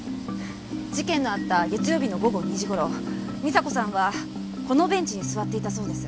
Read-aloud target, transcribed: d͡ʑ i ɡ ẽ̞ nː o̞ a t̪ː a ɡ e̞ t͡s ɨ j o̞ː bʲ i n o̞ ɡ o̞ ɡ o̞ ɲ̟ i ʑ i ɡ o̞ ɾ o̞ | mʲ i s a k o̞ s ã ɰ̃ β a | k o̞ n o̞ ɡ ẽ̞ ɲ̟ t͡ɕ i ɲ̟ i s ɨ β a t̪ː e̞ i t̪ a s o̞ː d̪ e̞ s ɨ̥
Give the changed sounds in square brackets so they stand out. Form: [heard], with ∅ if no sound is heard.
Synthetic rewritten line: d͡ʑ i [k] ẽ̞ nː o̞ a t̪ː a ɡ e̞ t͡s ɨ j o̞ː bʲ i n o̞ ɡ o̞ ɡ o̞ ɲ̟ i ʑ i ɡ o̞ ɾ o̞ | mʲ i s a k o̞ s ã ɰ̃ β a | k o̞ n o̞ [b] ẽ̞ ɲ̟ t͡ɕ i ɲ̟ i s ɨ β a t̪ː e̞ i t̪ a s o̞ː d̪ e̞ s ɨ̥

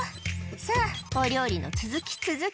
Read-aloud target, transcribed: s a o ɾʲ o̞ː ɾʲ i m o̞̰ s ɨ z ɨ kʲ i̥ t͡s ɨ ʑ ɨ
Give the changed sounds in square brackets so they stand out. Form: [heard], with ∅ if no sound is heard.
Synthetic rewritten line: s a o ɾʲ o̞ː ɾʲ i [n] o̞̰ [t͡s] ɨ z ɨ kʲ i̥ t͡s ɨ [z] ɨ

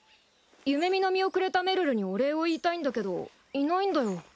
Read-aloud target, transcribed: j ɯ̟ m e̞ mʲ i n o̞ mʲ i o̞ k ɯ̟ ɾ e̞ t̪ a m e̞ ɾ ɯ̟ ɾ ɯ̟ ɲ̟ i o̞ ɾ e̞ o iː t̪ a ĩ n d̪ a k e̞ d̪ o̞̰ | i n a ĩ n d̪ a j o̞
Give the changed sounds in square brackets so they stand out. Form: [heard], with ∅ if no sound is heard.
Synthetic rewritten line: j ɯ̟ m e̞ mʲ i n o̞ mʲ i o̞ k ɯ̟ ɾ e̞ t̪ a m e̞ ɾ ɯ̟ ɾ ɯ̟ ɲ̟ i o̞ ɾ e̞ o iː t̪ a ĩ n d̪ a k e̞ d̪ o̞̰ | i n a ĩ n d̪ a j o̞

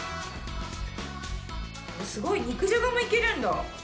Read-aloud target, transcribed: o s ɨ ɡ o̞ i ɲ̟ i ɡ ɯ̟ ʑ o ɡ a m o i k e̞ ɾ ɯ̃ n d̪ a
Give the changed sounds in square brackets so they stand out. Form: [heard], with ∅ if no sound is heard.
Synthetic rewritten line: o s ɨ ɡ o̞ i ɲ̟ i [k] ɯ̟ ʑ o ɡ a m o i k e̞ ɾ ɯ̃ n d̪ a

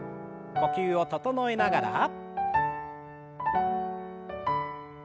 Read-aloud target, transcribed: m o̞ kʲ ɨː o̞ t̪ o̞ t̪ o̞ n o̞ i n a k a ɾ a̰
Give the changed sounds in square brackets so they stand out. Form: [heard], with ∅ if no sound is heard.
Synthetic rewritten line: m o̞ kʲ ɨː o̞ t̪ o̞ t̪ o̞ n o̞ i n a [ɡ] a ɾ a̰

